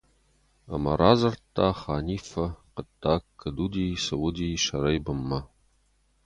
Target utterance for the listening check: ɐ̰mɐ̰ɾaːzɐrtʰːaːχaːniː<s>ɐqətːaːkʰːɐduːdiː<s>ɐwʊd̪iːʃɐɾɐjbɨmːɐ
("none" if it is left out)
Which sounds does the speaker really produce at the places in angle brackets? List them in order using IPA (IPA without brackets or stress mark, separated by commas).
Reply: f, s